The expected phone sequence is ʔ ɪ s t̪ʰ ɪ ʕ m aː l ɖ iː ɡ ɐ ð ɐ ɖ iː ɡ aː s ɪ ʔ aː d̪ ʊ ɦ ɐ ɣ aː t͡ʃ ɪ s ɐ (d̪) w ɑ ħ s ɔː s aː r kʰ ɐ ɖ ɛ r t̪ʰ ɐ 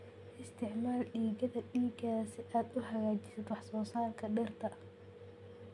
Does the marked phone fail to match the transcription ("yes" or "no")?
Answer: no